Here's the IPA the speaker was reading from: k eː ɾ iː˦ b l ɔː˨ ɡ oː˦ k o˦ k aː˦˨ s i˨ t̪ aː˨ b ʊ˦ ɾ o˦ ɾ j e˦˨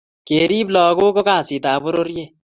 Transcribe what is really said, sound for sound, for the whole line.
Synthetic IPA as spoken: k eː ɾ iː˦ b l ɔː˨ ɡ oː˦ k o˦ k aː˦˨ s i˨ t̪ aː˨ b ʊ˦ ɾ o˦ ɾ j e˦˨